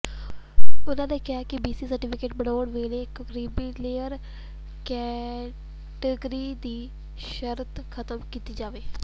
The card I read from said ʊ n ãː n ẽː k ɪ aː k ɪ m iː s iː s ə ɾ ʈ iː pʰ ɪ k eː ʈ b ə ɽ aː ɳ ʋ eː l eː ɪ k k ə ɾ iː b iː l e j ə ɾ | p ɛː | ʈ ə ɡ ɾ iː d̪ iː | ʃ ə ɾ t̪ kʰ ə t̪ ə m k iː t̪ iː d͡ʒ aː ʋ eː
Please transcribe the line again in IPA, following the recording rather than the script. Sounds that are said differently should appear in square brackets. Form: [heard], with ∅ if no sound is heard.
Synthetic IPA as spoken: ʊ n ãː n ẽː k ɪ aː k ɪ [b] iː s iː s ə ɾ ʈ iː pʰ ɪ k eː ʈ b ə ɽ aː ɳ ʋ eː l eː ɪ k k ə ɾ iː b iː l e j ə ɾ | [k] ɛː | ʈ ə ɡ ɾ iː d̪ iː | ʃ ə ɾ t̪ kʰ ə t̪ ə m k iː t̪ iː d͡ʒ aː ʋ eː